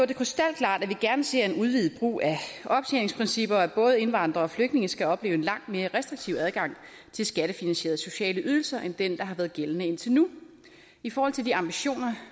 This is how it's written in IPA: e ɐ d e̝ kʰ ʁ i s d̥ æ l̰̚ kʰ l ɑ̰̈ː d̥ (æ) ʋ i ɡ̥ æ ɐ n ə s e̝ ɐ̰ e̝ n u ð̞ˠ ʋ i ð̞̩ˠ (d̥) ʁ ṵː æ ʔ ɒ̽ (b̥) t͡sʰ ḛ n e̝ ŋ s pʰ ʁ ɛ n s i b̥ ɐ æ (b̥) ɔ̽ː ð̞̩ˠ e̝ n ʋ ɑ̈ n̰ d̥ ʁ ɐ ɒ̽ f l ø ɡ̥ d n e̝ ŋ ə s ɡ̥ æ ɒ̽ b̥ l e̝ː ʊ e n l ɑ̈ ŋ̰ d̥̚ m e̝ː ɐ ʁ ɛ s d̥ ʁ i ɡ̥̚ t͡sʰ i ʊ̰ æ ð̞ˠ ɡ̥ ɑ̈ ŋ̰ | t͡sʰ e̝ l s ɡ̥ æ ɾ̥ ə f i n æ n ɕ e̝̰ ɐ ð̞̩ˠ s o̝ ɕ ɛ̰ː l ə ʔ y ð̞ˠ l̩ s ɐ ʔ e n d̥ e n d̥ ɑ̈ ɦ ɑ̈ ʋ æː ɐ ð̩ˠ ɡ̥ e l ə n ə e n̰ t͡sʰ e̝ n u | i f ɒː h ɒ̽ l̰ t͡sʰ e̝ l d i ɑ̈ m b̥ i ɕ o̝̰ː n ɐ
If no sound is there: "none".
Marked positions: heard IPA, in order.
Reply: æ, b̥, b̥, b̥

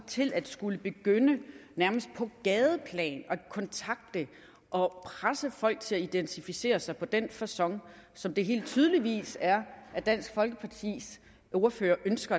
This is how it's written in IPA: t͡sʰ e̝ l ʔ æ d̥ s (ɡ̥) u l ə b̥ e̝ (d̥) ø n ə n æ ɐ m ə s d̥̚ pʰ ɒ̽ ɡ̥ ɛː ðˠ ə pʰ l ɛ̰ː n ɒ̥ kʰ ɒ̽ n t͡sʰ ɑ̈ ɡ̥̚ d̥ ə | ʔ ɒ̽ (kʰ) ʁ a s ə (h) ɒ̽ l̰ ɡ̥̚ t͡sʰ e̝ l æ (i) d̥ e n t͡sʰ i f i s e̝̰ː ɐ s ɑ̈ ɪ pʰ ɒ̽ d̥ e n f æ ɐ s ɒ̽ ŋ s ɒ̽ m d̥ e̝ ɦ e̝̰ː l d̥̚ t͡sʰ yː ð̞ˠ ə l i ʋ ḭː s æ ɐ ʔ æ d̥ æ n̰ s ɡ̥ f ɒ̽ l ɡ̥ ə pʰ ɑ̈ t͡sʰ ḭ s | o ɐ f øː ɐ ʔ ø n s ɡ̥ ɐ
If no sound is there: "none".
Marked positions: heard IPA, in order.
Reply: ɡ̥, ɡ̥, pʰ, f, i

